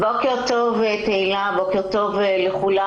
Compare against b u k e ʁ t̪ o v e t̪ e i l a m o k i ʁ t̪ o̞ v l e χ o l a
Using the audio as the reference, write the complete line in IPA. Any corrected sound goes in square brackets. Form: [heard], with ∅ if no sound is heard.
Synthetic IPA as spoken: b [o] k e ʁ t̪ o v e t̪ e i l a [b] o k [e] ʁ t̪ o̞ v l e χ [u] l a